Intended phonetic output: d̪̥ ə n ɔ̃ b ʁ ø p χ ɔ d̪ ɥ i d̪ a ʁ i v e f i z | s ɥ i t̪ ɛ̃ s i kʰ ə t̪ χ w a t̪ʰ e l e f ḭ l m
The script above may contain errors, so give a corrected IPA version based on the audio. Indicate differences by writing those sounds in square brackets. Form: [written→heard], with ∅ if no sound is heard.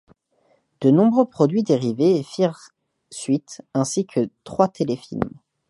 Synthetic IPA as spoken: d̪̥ ə n ɔ̃ b ʁ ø p χ ɔ d̪ ɥ i d̪ [a→e] ʁ i v e f i [z→ʁ] | s ɥ i t̪ ɛ̃ s i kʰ ə t̪ χ w a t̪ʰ e l e f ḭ l m